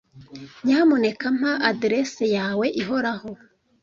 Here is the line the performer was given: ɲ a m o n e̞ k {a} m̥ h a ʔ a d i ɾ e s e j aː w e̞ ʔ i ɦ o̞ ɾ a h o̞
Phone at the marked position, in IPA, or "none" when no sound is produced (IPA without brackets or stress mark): a